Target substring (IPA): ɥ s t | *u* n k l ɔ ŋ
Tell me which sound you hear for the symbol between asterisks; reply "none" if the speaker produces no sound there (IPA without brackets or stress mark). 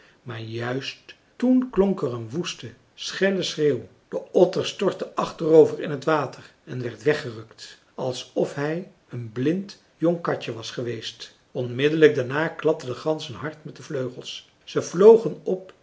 u